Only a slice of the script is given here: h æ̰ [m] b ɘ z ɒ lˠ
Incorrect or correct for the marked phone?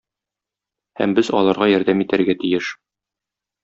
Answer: correct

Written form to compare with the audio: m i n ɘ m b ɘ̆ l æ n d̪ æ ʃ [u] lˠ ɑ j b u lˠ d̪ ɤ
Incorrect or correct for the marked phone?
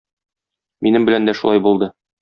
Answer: correct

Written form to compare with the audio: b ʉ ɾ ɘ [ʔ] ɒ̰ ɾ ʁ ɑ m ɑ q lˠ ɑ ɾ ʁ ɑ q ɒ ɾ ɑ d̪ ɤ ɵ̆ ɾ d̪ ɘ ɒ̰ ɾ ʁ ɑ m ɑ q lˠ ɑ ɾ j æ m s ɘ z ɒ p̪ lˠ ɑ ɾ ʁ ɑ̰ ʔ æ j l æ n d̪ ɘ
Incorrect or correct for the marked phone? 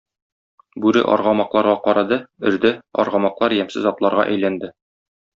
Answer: correct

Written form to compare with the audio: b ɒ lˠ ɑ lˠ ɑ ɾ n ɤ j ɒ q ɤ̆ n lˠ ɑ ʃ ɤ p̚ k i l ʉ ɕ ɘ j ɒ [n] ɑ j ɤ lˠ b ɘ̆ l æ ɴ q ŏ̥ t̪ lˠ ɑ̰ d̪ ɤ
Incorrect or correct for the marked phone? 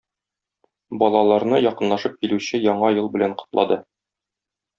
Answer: incorrect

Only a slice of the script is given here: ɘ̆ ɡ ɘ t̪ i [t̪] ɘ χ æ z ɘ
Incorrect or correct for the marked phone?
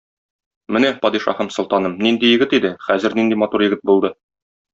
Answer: incorrect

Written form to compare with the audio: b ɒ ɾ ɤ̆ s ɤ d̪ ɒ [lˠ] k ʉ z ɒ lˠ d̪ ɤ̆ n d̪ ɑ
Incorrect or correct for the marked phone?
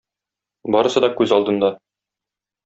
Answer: incorrect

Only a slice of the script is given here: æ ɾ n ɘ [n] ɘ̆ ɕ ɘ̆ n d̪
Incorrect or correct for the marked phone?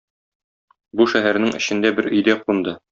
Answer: incorrect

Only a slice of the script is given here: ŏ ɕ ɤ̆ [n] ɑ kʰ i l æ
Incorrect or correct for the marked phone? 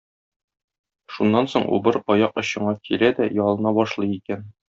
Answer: incorrect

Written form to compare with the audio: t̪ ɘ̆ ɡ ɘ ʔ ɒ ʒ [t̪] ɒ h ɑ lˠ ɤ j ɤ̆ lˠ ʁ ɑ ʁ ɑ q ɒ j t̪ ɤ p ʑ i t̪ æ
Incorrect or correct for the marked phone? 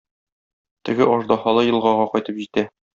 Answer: incorrect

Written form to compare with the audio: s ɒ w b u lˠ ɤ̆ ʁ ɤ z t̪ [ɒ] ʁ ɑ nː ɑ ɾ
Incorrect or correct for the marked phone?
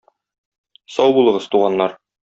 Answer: incorrect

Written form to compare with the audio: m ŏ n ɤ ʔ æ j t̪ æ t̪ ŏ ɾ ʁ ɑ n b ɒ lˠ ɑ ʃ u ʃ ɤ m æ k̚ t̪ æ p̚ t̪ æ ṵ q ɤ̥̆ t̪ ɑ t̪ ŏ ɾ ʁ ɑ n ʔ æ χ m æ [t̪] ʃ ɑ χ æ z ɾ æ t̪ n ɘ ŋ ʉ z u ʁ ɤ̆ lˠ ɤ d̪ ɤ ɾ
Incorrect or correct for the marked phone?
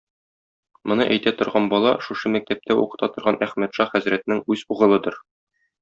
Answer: correct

